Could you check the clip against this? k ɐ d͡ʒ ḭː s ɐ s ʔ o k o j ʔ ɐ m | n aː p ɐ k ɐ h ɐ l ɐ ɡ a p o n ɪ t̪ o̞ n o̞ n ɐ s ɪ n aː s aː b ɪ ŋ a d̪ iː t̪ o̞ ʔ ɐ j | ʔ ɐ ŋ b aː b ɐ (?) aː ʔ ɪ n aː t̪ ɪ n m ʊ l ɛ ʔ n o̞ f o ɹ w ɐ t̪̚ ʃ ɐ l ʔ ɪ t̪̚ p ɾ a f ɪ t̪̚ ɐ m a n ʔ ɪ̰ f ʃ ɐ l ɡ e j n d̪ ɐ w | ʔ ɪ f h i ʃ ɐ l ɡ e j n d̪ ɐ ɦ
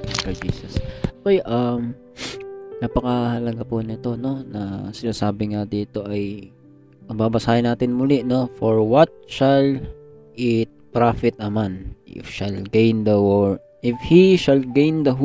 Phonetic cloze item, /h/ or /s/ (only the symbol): s